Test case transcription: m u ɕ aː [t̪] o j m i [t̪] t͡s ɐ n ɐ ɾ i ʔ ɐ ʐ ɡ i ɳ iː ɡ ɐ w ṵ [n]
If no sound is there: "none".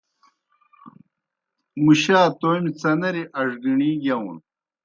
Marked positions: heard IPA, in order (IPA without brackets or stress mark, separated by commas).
t̪, none, n